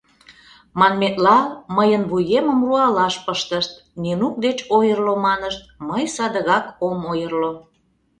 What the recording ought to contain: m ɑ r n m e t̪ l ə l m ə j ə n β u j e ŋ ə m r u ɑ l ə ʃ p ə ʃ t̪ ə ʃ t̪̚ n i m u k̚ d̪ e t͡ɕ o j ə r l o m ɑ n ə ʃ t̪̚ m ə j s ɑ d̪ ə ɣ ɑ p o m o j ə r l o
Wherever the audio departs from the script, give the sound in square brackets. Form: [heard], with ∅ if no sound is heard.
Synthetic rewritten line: m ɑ [∅] n m e t̪ l [ɑ] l m ə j ə n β u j e [m] ə m r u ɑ l [ɑ] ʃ p ə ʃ t̪ ə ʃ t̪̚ n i [n] u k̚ d̪ e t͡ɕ o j ə r l o m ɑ n ə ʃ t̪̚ m ə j s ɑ d̪ ə ɣ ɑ [k] o m o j ə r l o